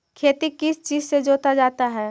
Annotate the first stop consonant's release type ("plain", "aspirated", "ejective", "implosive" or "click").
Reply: aspirated